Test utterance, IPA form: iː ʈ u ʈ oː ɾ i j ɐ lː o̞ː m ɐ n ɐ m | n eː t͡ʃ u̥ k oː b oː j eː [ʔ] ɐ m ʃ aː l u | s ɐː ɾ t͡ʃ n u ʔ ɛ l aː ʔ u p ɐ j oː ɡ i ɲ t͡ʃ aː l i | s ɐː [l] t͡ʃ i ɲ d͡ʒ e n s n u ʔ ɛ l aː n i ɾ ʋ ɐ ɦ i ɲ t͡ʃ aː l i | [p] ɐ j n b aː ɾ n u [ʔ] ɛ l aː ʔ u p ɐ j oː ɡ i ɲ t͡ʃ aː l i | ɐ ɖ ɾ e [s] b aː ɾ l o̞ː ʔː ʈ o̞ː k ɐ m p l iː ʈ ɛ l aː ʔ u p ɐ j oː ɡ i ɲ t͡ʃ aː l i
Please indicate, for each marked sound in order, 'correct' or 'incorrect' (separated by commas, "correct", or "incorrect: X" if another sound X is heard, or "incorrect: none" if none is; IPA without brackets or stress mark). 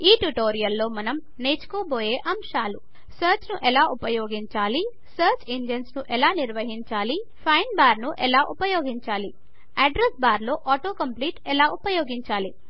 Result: correct, incorrect: ɾ, incorrect: pʰ, correct, correct